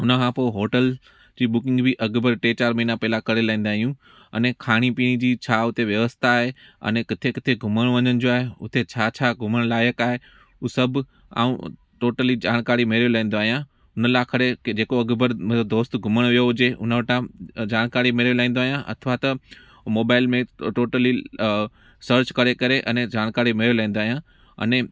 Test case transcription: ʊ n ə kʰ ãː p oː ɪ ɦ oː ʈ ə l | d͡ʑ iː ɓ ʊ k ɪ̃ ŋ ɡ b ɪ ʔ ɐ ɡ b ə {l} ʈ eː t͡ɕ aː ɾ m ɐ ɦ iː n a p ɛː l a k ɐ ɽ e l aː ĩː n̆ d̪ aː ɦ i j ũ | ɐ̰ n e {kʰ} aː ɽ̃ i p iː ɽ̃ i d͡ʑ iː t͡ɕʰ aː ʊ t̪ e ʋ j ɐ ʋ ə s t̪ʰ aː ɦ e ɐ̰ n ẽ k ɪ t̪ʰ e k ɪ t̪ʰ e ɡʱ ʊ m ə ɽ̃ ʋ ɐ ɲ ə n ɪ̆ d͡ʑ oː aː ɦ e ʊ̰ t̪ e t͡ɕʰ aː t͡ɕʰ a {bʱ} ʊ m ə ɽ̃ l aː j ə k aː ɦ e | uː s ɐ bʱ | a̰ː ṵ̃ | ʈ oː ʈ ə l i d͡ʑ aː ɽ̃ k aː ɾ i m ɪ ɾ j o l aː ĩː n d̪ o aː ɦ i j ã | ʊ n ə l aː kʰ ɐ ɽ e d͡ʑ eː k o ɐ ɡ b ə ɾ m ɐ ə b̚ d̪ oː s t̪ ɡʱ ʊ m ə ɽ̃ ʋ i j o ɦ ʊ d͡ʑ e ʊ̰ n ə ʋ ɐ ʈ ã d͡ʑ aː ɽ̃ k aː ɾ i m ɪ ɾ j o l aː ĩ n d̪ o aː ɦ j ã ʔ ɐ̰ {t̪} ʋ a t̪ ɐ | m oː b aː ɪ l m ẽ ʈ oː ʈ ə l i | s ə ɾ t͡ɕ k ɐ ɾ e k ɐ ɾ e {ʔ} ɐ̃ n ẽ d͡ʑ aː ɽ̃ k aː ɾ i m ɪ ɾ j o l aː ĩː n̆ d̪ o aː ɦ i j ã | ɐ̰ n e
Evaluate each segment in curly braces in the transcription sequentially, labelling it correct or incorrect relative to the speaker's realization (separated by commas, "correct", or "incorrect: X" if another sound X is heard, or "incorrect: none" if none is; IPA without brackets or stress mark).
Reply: incorrect: ɾ, correct, incorrect: ɡʱ, incorrect: t̪ʰ, correct